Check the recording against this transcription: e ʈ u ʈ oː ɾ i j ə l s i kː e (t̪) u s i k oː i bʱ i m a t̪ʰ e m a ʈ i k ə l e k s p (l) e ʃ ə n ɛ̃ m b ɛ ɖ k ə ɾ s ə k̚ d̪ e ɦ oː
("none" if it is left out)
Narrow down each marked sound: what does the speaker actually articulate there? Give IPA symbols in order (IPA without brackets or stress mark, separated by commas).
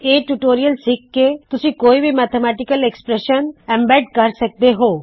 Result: t̪, ɾ